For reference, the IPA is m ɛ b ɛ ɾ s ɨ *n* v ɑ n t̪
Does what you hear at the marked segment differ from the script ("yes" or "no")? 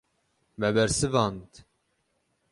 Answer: yes